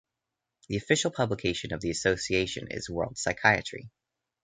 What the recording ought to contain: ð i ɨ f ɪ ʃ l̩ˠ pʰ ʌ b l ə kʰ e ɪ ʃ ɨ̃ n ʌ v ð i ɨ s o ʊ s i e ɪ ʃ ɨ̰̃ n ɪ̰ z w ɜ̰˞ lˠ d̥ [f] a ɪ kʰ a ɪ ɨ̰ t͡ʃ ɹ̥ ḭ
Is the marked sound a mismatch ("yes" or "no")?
yes